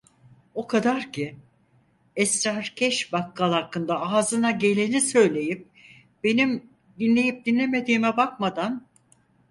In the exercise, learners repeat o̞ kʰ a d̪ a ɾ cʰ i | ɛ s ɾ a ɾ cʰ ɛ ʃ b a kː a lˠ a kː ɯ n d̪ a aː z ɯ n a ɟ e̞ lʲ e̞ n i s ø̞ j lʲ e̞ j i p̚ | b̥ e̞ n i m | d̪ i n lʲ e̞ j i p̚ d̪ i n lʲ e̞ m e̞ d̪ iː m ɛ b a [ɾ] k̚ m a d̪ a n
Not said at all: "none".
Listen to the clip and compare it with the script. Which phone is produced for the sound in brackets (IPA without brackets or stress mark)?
none